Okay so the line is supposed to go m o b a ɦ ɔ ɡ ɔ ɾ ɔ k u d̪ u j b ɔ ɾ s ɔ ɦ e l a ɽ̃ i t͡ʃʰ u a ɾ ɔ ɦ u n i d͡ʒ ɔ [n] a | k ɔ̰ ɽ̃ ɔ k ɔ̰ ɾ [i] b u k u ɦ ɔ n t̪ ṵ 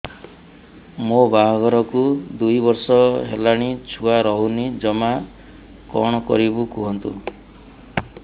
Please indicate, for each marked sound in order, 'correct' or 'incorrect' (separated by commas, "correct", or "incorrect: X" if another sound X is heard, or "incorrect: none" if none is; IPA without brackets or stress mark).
incorrect: m, correct